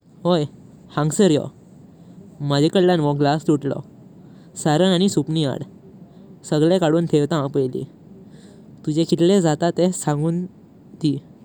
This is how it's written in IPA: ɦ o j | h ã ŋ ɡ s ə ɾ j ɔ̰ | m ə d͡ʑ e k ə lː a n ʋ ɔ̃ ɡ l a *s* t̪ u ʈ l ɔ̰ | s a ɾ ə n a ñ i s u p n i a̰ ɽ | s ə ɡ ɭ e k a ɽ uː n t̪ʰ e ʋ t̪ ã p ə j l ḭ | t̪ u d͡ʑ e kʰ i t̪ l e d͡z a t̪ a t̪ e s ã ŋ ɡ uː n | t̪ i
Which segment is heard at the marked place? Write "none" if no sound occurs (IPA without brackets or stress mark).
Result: s